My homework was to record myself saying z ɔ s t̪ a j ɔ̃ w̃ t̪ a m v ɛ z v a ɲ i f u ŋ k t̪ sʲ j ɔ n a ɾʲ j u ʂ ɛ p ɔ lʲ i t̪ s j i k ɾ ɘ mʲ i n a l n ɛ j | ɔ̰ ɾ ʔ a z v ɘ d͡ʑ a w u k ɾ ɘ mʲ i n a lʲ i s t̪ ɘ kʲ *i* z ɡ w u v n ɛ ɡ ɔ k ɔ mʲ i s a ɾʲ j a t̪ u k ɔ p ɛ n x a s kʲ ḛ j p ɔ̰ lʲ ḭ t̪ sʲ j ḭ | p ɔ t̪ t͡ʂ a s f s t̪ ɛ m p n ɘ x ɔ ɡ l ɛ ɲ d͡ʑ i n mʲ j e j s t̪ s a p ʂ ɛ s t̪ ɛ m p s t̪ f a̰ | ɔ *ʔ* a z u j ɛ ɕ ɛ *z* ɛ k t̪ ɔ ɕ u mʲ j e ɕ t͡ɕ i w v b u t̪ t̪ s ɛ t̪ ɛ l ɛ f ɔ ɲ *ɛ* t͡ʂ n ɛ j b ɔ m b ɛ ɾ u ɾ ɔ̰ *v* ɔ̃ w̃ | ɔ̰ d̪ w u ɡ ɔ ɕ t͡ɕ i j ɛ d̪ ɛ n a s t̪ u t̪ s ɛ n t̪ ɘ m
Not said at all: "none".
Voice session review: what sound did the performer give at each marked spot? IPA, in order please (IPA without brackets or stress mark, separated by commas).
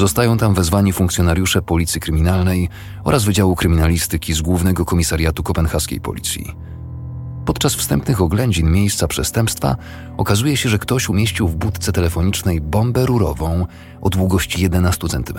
i, k, ʐ, i, v